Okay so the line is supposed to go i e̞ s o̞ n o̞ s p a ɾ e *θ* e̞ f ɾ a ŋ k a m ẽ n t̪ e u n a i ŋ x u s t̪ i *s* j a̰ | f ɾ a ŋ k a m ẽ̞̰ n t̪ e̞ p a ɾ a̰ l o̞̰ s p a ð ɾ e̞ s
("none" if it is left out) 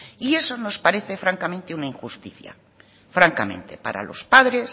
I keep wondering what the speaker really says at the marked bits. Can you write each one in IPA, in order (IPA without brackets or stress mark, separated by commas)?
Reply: θ, θ